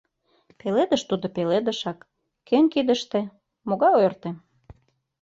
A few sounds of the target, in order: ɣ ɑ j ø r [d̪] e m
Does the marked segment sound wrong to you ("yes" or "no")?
yes